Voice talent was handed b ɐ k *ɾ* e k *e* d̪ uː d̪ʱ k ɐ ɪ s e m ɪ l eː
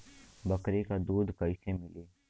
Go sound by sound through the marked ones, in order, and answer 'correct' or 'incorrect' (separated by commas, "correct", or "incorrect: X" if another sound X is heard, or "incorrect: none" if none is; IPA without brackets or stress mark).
correct, incorrect: a